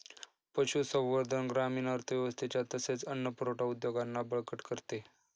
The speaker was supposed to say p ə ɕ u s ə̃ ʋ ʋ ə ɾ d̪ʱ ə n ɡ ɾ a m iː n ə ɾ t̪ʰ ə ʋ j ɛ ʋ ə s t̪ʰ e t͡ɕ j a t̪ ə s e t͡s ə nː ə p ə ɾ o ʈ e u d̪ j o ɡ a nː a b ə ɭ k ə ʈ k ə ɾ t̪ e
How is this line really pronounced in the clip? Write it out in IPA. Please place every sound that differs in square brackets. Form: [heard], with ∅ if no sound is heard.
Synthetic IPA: p ə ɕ u s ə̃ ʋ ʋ ə ɾ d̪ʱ ə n ɡ ɾ a m iː n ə ɾ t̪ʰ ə ʋ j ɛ ʋ ə s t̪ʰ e t͡ɕ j a t̪ ə s e t͡s ə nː ə p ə ɾ o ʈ [a] u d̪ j o ɡ a nː a b ə ɭ k ə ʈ k ə ɾ t̪ e